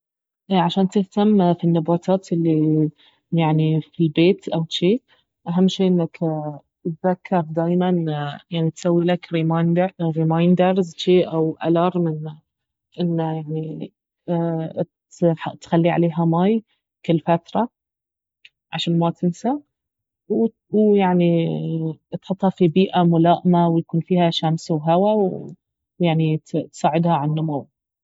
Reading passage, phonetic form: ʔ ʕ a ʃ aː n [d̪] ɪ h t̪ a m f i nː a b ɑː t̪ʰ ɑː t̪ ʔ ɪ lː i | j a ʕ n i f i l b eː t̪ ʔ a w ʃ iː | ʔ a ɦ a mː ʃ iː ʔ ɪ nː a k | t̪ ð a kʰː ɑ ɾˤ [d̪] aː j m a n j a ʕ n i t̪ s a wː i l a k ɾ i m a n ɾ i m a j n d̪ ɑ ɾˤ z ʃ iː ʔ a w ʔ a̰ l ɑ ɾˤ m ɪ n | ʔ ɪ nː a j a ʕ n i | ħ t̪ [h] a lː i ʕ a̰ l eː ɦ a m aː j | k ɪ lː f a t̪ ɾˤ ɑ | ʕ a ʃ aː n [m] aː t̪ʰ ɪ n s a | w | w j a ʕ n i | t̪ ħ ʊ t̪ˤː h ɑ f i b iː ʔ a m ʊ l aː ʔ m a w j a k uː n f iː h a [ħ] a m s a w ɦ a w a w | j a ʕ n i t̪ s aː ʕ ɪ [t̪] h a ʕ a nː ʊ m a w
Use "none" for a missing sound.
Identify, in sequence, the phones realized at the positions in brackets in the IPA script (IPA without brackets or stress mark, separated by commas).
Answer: t̪, d̪, x, m, ʃ, d̪